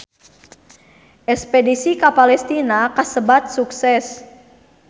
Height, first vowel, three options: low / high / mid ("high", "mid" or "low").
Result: mid